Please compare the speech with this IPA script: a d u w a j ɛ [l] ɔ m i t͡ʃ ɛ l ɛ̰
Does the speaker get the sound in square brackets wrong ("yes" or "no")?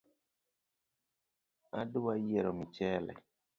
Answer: yes